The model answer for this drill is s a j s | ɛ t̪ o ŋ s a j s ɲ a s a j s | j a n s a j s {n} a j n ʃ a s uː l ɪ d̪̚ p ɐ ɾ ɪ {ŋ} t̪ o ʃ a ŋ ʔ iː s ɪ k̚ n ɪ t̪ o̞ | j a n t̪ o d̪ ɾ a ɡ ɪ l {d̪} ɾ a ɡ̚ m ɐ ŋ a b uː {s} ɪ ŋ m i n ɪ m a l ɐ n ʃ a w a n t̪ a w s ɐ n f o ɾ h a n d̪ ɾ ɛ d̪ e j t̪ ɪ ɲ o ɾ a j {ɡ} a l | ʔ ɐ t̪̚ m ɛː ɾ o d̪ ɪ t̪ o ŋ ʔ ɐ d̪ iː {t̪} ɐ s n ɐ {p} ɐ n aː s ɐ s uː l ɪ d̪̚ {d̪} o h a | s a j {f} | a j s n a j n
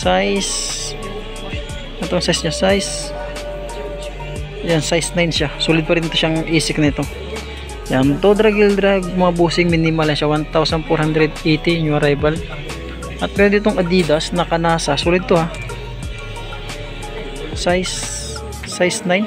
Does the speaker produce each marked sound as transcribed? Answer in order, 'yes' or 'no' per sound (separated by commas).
yes, no, yes, yes, no, no, no, no, no